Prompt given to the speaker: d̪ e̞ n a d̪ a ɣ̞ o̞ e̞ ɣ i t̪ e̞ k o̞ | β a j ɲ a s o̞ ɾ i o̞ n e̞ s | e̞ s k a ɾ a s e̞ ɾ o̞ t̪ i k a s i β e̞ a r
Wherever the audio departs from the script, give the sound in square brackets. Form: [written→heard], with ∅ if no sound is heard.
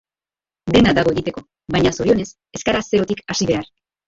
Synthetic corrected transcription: d̪ e̞ n a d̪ a ɣ̞ o̞ e̞ ɣ i t̪ e̞ k o̞ | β a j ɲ a s o̞ ɾ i o̞ n e̞ s | e̞ s k a ɾ a s e̞ ɾ o̞ t̪ i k a s i β e̞ a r